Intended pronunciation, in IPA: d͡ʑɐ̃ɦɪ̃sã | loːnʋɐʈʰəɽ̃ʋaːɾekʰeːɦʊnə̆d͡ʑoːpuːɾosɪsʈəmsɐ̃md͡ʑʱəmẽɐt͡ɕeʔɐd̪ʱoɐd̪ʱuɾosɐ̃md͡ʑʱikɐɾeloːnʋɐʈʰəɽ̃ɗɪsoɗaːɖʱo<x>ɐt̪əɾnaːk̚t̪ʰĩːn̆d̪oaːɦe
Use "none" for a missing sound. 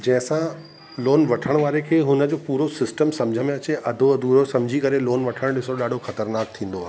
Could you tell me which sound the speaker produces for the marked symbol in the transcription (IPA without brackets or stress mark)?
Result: x